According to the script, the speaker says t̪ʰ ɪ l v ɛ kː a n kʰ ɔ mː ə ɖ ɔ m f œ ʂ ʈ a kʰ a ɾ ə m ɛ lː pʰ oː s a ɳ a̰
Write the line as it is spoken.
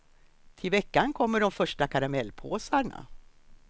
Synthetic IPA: t̪ʰ ɪ l v ɛ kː a n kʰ ɔ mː ə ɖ ɔ m f œ ʂ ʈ a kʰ a ɾ a m ɛ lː pʰ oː s a ɳ a̰